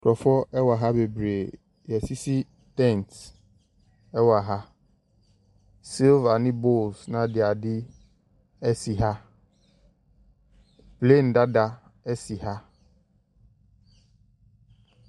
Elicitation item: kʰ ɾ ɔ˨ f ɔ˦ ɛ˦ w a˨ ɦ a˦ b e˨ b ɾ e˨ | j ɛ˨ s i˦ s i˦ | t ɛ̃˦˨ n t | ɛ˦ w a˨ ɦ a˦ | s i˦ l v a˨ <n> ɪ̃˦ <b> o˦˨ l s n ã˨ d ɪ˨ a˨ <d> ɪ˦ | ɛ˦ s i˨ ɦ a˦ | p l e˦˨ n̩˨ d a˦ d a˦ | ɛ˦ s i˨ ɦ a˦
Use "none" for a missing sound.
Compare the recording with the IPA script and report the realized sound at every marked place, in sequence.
n, b, d

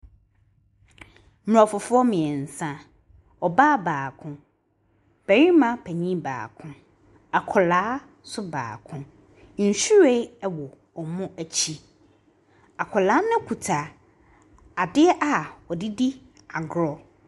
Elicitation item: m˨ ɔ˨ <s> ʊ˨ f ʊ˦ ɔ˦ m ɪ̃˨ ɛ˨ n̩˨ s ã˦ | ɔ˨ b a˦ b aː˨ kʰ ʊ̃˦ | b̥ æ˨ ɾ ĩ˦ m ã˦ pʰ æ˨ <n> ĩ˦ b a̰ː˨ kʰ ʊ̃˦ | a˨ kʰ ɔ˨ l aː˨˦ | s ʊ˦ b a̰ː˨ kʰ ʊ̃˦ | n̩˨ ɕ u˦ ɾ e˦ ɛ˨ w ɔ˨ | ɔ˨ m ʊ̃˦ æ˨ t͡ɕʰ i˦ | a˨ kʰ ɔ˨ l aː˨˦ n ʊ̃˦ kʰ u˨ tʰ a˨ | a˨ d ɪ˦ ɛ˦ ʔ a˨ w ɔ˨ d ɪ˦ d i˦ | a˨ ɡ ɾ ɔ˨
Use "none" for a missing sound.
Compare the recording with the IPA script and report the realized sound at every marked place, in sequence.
f, ɲ

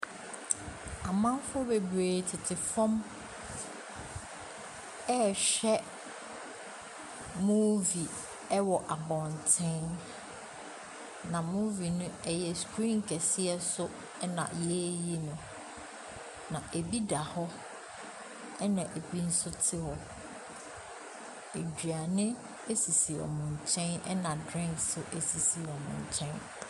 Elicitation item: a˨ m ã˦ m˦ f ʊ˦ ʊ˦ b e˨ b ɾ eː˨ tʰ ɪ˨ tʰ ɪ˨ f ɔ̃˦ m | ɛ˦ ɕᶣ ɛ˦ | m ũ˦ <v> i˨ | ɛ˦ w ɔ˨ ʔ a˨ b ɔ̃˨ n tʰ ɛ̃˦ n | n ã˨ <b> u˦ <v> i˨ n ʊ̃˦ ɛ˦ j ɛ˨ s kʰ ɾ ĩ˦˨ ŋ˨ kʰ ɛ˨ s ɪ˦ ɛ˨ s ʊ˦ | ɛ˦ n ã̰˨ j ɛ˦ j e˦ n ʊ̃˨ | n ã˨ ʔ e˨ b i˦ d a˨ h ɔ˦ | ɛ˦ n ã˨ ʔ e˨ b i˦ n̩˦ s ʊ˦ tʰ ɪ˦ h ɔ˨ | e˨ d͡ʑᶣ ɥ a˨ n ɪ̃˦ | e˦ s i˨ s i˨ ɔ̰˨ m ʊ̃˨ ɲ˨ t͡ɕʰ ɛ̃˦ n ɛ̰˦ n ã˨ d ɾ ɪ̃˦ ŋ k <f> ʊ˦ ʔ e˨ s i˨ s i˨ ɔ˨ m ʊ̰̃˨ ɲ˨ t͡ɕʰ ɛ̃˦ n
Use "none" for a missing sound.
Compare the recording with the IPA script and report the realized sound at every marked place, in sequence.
v, m, v, s

